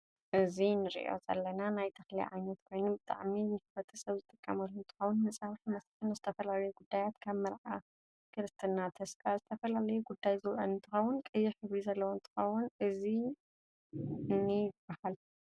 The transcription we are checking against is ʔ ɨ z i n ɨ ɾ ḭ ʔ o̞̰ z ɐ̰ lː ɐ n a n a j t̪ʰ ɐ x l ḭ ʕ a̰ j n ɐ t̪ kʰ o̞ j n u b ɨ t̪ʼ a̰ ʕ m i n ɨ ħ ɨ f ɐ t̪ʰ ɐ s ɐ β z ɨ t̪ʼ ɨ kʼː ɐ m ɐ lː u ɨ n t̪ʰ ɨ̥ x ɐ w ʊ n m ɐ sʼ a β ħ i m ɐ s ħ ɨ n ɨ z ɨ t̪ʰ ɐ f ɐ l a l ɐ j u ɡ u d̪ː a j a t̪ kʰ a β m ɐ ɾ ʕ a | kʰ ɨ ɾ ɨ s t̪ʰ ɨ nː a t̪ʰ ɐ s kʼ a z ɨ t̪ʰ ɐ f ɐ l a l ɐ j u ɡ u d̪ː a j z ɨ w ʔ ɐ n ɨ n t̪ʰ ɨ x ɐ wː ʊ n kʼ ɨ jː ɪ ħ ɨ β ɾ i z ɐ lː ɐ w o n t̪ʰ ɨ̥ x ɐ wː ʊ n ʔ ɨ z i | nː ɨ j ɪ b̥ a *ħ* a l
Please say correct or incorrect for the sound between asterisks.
incorrect